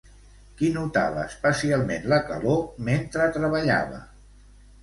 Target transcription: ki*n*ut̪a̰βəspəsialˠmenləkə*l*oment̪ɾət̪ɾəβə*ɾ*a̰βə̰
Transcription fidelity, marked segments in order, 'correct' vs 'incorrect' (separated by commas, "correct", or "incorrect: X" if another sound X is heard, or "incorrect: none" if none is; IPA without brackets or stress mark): correct, correct, incorrect: ʎ